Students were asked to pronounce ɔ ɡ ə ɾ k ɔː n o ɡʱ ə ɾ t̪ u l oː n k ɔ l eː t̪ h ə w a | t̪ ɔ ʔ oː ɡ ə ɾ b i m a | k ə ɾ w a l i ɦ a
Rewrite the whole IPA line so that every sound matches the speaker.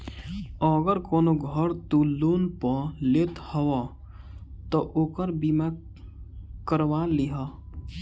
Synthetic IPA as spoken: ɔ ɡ ə ɾ k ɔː n o ɡʱ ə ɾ t̪ u l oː n p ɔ l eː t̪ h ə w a | t̪ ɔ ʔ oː k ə ɾ b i m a | k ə ɾ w a l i ɦ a